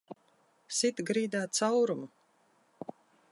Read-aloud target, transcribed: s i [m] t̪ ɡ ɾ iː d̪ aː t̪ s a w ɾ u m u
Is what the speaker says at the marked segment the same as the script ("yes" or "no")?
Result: no